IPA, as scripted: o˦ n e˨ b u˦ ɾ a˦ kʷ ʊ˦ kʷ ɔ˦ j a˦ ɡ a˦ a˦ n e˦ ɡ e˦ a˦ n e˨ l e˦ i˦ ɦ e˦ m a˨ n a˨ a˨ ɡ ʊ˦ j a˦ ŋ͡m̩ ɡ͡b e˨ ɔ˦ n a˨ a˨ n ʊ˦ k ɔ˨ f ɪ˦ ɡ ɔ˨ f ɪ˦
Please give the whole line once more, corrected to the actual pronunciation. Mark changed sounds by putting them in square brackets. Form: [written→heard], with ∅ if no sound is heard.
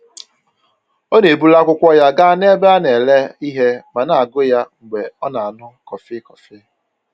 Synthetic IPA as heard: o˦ n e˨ b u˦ [ɾ→l] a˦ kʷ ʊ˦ kʷ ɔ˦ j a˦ ɡ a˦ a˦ n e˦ [ɡ→b] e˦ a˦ n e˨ l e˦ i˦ ɦ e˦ m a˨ n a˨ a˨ ɡ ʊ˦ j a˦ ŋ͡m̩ ɡ͡b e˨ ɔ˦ n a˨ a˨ n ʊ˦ k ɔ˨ f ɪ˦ [ɡ→k] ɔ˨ f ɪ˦